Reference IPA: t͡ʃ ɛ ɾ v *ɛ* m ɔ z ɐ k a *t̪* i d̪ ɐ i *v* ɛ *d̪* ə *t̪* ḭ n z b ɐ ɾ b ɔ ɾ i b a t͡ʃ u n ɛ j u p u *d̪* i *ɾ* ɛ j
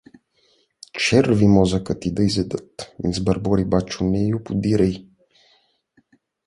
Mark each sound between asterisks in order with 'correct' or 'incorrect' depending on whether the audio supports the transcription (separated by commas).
incorrect, correct, incorrect, correct, correct, correct, correct